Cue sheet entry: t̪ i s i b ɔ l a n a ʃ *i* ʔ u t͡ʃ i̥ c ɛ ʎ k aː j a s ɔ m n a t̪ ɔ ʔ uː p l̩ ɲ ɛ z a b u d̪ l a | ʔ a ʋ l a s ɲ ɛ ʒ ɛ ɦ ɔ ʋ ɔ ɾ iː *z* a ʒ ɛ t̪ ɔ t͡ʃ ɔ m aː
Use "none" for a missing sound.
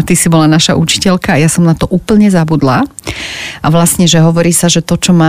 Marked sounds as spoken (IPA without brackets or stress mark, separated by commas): a, s